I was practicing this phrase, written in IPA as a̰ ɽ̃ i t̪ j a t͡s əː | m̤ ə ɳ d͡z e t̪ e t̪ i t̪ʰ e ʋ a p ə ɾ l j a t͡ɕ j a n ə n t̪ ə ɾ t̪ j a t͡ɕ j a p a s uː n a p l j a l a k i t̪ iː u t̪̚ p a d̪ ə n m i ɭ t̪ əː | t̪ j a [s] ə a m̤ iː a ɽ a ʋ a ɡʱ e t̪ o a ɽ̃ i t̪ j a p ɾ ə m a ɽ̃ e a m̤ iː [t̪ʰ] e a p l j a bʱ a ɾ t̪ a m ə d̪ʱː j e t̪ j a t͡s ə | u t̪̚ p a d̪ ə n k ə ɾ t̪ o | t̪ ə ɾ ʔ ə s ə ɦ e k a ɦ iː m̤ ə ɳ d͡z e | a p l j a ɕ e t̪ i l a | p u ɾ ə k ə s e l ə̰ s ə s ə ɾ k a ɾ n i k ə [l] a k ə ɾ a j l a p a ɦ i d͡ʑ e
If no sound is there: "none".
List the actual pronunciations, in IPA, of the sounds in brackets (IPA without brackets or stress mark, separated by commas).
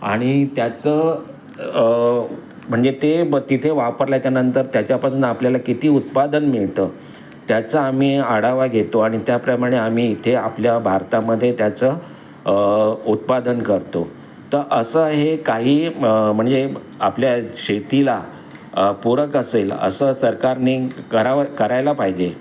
t͡s, t̪ʰ, ɾ